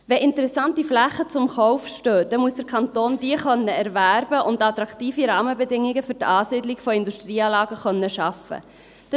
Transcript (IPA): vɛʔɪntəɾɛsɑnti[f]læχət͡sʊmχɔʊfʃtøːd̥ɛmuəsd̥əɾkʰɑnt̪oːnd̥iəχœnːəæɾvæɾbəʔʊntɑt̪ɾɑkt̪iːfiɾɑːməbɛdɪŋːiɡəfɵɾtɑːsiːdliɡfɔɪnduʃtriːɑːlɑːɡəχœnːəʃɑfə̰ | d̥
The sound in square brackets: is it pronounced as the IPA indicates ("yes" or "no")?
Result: yes